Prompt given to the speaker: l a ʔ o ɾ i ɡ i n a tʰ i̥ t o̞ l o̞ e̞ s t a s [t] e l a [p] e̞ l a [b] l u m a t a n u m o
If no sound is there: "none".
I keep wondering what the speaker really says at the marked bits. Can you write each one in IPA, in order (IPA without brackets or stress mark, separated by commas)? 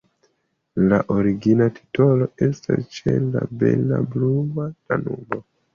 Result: t͡ʃ, b, b